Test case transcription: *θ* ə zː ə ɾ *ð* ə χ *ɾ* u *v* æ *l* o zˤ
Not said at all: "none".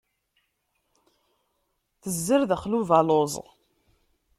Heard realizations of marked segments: θ, ð, l, v, l

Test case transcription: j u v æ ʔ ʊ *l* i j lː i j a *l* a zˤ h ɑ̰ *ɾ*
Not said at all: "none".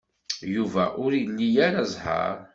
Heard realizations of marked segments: ɾ, ɾ, ɾ

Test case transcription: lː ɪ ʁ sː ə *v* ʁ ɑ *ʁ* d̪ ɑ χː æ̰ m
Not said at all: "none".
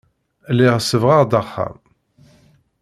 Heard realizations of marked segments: v, ʁ

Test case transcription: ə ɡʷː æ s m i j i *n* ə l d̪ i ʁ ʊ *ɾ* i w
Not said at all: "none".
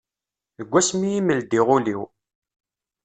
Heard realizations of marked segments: m, l

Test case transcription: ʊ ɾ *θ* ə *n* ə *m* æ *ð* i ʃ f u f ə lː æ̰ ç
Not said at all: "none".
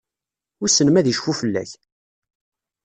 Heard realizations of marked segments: s, n, m, ð

